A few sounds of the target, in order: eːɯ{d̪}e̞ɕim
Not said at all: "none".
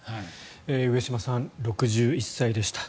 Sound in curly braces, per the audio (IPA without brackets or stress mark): none